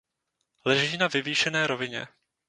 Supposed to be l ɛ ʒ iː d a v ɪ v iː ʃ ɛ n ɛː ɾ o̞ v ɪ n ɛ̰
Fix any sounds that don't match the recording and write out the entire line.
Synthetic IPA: l ɛ ʒ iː n a v ɪ v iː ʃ ɛ n ɛː ɾ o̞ v ɪ ɲ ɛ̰